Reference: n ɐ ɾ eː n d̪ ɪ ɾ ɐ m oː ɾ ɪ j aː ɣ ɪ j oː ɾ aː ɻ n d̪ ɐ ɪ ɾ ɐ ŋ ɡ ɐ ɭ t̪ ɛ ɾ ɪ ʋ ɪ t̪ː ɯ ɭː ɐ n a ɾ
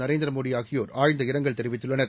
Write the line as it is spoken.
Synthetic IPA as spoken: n ɐ ɾ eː n d̪ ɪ ɾ ɐ m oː ɽ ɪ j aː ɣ ɪ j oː ɾ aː ɻ n d̪ ɐ ɪ ɾ ɐ ŋ ɡ ɐ ɭ t̪ ɛ ɾ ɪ ʋ ɪ t̪ː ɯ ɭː ɐ n ɐ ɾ

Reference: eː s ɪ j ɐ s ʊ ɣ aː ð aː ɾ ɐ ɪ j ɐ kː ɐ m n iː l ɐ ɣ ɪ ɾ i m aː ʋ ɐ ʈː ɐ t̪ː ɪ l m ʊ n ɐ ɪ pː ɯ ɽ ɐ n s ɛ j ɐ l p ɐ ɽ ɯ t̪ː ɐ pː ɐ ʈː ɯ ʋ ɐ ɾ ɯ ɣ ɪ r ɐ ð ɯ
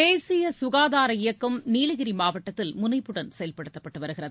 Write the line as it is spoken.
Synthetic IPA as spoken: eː s ɪ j ɐ s ʊ ɣ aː ð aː ɾ ɐ ɪ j ɐ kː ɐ m n iː l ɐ ɣ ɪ ɾ i m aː ʋ ɐ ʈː ɐ t̪ː ɪ l m ʊ n ɐ ɪ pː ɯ ɽ ɐ n s ɛ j ɐ l p ɐ ɽ ɯ t̪ː ɐ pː ɐ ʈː ɯ ʋ ɐ ɾ ɯ ɣ ɪ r ɐ ð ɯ

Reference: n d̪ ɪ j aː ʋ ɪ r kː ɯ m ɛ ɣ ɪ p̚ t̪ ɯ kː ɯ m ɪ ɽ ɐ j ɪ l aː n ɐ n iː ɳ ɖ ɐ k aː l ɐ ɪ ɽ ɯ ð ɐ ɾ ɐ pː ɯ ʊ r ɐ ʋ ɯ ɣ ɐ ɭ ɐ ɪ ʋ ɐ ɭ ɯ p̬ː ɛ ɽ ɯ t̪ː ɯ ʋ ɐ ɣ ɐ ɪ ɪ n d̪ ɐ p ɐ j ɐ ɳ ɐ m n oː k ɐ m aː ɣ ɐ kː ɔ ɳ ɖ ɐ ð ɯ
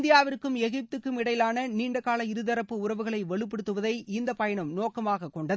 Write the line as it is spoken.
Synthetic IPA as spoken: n d̪ ɪ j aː ʋ ɪ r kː ɯ m ɛ ɣ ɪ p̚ t̪ ɯ kː ɯ m ɪ ɽ ɐ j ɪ l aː n ɐ n iː ɳ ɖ ɐ k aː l ɐ ɪ ɾ ɯ ð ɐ ɾ ɐ pː ɯ ʊ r ɐ ʋ ɯ ɣ ɐ ɭ ɐ ɪ ʋ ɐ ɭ ɯ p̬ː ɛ ɽ ɯ t̪ː ɯ ʋ ɐ ð ɐ ɪ ɪ n d̪ ɐ p ɐ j ɐ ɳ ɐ m n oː k ɐ m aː ɣ ɐ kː ɔ ɳ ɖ ɐ ð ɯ

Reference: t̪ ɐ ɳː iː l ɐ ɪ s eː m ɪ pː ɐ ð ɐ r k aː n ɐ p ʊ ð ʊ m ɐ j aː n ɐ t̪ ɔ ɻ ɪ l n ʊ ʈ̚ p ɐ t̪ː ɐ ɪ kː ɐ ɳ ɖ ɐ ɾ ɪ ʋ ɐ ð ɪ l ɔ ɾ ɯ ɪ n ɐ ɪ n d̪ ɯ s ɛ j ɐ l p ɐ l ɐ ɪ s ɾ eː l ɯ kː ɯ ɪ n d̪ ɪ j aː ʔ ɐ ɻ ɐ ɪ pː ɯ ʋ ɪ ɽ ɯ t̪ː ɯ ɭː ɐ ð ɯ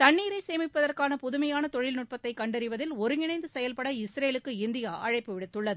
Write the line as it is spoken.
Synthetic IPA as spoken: t̪ ɐ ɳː iː ɾ ɐ ɪ s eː m ɪ pː ɐ ð ɐ r k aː n ɐ p ʊ ð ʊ m ɐ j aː n ɐ t̪ ɔ ɻ ɪ l n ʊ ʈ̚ p ɐ t̪ː ɐ ɪ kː ɐ ɳ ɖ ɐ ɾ ɪ ʋ ɐ ð ɪ l ɔ ɾ ɯ ɪ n ɐ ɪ n d̪ ɯ s ɛ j ɐ l p ɐ ɽ ɐ ɪ s ɾ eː l ɯ kː ɯ ɪ n d̪ ɪ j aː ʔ ɐ ɻ ɐ ɪ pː ɯ ʋ ɪ ɽ ɯ t̪ː ɯ ɭː ɐ ð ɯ

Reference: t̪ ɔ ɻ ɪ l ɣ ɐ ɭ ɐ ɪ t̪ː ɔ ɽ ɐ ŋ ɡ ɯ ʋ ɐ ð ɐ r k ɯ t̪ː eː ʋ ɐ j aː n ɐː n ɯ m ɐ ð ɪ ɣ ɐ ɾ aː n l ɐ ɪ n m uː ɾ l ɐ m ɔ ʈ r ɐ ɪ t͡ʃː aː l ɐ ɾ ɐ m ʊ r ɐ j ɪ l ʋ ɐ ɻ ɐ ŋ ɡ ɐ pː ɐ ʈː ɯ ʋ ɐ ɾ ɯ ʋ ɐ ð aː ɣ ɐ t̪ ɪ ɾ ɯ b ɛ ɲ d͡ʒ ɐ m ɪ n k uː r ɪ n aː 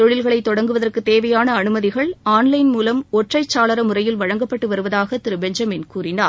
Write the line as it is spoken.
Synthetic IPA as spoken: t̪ ɔ ɻ ɪ l ɣ ɐ ɭ ɐ ɪ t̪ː ɔ ɽ ɐ ŋ ɡ ɯ ʋ ɐ ð ɐ r k ɯ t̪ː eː ʋ ɐ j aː n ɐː n ɯ m ɐ ð ɪ ɣ ɐ ɭ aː n l ɐ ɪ n m uː l ɐ m ɔ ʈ r ɐ ɪ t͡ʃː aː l ɐ ɾ ɐ m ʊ r ɐ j ɪ l ʋ ɐ ɻ ɐ ŋ ɡ ɐ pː ɐ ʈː ɯ ʋ ɐ ɾ ɯ ʋ ɐ ð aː ɣ ɐ t̪ ɪ ɾ ɯ b ɛ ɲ d͡ʒ ɐ m ɪ n k uː r ɪ n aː

